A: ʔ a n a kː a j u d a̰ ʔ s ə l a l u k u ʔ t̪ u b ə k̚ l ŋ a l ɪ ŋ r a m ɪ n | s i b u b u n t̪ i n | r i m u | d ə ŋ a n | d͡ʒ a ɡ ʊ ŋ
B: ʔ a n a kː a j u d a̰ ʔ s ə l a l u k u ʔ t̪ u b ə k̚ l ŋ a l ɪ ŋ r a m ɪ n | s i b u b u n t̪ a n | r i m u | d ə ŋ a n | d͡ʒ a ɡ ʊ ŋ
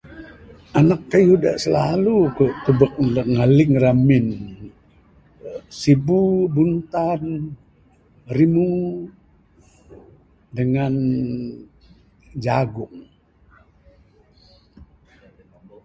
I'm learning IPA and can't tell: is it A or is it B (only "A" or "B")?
B